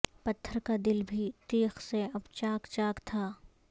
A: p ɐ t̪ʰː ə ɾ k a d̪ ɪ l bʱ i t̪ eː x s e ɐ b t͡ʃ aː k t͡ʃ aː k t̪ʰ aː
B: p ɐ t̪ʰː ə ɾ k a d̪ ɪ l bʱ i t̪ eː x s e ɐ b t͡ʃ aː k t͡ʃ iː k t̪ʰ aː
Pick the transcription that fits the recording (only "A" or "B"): A